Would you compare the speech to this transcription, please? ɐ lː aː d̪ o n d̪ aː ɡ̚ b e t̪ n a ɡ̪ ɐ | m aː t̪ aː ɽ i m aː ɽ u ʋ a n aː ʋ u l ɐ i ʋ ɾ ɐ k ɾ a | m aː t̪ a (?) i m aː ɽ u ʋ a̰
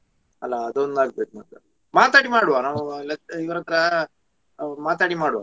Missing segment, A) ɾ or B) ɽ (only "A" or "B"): B